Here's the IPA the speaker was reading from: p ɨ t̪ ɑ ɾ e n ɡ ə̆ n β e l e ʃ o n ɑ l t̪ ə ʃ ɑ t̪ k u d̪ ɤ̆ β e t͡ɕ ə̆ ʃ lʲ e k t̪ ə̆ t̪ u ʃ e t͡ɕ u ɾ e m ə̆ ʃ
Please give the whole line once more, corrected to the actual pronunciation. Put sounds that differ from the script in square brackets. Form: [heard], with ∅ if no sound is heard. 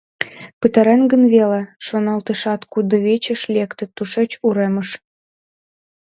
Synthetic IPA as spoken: p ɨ t̪ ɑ ɾ e n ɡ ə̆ n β e l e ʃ o n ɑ l t̪ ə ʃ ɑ t̪ k u d̪ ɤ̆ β e t͡ɕ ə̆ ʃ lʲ e k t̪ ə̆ t̪ u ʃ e t͡ɕ u ɾ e m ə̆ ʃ